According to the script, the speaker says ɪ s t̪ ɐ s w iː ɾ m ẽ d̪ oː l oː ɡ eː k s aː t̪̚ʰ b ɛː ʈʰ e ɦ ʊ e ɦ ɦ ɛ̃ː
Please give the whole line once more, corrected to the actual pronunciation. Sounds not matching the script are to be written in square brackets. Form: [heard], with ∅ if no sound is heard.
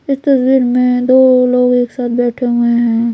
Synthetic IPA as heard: ɪ s t̪ ɐ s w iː ɾ m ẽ d̪ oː l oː ɡ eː k s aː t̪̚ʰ b ɛː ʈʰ e ɦ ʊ e ɦ ɦ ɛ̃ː